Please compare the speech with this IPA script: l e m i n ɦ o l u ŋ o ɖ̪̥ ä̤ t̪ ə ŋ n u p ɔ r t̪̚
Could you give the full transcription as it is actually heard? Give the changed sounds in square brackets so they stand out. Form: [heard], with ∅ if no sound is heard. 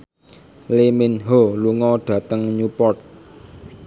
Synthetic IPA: l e m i n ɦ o l u ŋ [ɔ] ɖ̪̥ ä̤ t̪ ə ŋ [ɲ] u p ɔ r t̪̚